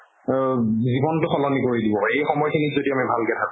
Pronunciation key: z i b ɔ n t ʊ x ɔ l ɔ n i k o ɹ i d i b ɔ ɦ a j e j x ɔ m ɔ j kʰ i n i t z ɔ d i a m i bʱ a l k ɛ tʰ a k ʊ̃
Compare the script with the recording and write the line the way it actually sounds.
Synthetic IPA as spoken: z i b ɔ n t ʊ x ɔ l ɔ n i k o ɹ i d i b ɔ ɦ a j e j x ɔ m ɔ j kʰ i n i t z o d i a m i bʱ a l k ɛ tʰ a k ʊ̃